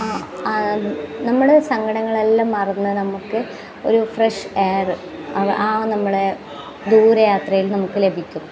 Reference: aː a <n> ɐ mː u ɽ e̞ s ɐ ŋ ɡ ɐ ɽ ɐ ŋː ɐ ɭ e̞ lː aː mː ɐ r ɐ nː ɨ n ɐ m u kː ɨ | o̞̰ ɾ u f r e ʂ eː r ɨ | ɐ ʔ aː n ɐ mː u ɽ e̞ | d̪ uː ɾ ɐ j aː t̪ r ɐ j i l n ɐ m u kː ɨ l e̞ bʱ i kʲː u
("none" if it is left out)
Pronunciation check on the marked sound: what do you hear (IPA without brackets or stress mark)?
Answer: n